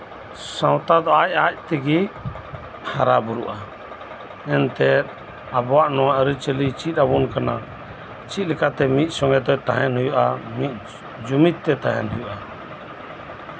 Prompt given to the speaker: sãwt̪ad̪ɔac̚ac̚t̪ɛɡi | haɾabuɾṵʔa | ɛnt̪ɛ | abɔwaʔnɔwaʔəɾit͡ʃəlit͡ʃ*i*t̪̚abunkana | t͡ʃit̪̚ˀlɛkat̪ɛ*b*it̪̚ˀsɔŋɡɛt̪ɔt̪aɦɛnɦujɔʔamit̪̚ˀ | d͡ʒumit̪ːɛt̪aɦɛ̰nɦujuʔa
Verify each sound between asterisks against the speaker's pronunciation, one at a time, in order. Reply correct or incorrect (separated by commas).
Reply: correct, incorrect